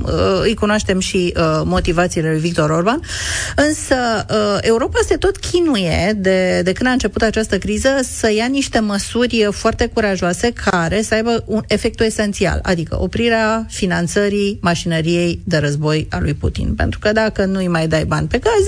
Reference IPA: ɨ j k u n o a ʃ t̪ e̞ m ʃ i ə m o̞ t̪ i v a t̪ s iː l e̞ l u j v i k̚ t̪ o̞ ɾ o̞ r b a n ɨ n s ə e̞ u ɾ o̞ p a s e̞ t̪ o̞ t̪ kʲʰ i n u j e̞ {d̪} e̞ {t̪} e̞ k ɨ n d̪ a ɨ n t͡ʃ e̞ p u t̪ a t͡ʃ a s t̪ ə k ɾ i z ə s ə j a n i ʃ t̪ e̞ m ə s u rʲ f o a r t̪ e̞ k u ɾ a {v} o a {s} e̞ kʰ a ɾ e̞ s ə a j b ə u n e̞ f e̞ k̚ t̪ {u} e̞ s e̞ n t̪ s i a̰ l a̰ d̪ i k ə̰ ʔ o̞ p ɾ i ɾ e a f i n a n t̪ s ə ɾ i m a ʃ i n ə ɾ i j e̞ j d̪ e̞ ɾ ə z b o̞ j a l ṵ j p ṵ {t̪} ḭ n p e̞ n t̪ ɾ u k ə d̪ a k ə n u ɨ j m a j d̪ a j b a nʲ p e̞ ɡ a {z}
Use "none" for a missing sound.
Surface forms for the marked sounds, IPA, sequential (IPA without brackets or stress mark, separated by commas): d̪, d̪, ʒ, s, u, t̪, z